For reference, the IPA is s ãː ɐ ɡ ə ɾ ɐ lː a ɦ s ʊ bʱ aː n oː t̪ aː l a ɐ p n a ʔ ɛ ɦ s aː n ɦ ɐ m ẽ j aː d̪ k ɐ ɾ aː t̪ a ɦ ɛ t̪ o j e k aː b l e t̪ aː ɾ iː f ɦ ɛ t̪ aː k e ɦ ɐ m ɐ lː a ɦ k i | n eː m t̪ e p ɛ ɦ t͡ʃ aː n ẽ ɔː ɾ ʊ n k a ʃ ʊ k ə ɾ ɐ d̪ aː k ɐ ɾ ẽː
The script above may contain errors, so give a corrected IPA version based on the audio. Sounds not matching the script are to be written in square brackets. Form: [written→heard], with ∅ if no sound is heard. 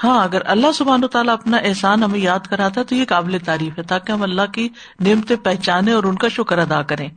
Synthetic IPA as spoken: [s→h] ãː ɐ ɡ ə ɾ ɐ lː a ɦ s ʊ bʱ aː n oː t̪ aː l a ɐ p n a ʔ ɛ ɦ s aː n ɦ ɐ m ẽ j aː d̪ k ɐ ɾ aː t̪ a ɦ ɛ t̪ o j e k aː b l e t̪ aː ɾ iː f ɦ ɛ t̪ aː k e ɦ ɐ m ɐ lː a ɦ k i | n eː m t̪ e p ɛ ɦ t͡ʃ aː n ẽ ɔː ɾ ʊ n k a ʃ ʊ k ə ɾ ɐ d̪ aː k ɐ ɾ ẽː